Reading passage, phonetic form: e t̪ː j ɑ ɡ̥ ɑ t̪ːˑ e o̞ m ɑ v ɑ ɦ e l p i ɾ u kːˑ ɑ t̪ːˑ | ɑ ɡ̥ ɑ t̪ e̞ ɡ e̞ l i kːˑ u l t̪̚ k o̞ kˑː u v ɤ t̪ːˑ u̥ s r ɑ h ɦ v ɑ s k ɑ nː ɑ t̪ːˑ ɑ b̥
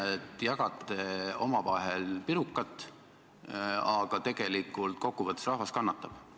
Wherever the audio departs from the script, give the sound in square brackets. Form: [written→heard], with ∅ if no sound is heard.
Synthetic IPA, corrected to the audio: e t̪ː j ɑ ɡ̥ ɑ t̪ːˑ e o̞ m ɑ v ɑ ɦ e l p i ɾ u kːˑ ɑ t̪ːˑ | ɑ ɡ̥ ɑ t̪ e̞ ɡ e̞ l i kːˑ u l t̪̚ k o̞ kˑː u v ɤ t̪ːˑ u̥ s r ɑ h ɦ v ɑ s k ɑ nː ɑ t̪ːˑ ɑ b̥